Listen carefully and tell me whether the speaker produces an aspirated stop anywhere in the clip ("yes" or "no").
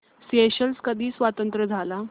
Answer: no